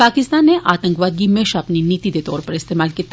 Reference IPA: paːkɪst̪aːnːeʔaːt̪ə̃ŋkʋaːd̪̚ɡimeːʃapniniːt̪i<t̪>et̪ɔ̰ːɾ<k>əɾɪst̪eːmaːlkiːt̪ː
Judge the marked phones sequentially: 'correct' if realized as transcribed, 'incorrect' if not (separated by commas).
incorrect, incorrect